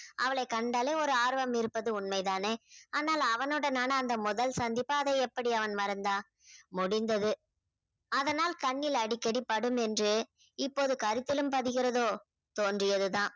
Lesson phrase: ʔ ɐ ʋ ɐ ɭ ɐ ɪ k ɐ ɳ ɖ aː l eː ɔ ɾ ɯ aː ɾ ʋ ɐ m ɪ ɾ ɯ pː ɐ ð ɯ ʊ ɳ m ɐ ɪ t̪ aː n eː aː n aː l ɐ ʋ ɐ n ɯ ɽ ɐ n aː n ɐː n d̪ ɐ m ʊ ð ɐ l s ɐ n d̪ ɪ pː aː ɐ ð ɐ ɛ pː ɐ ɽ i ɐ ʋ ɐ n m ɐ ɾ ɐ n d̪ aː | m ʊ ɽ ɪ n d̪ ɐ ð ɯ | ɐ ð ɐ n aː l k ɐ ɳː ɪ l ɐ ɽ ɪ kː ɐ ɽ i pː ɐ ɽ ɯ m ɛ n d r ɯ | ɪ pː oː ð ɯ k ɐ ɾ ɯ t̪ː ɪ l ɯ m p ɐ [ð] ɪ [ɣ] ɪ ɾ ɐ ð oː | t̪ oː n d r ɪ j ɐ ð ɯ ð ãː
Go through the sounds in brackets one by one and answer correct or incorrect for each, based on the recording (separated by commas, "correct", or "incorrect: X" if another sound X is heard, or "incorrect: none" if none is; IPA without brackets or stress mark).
correct, correct